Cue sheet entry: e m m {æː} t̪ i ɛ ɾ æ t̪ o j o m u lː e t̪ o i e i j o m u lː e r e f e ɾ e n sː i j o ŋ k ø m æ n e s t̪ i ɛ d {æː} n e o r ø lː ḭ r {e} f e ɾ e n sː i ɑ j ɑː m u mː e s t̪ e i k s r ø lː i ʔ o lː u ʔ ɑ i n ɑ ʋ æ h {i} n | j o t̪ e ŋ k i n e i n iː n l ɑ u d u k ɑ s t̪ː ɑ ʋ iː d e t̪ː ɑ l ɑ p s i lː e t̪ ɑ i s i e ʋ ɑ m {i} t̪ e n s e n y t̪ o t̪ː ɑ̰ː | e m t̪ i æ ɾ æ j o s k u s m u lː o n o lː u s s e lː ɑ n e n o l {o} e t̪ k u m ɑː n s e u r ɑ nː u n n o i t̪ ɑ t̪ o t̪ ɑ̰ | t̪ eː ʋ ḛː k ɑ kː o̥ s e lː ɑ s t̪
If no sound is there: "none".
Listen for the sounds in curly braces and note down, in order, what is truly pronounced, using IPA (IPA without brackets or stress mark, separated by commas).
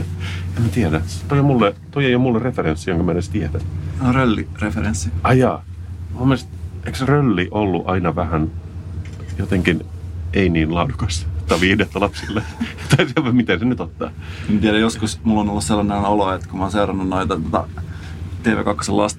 æ, æ, e, æ, i, o